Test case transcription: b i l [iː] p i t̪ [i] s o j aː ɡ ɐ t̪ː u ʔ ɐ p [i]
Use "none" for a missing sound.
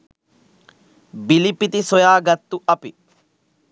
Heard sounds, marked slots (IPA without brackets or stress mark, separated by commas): i, i, i